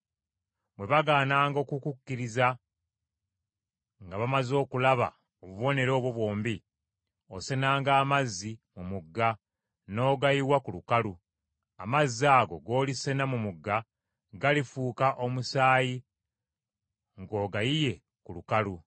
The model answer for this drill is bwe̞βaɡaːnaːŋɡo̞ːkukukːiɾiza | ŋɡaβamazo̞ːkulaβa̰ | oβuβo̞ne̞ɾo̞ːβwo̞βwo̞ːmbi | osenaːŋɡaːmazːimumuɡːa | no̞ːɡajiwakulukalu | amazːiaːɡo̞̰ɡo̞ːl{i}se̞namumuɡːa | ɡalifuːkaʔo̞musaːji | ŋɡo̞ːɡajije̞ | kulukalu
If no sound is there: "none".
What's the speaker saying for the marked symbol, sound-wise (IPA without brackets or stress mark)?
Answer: i